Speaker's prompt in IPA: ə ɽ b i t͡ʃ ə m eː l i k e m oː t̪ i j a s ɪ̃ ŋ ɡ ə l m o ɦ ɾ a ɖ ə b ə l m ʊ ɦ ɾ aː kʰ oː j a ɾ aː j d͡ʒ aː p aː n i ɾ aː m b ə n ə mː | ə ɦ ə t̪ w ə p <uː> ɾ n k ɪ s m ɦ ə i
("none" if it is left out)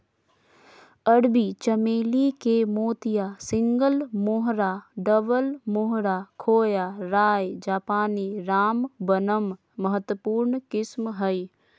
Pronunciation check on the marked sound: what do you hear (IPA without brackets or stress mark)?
uː